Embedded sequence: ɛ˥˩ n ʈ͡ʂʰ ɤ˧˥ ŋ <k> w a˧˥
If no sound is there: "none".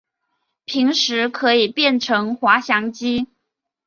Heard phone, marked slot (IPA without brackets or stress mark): x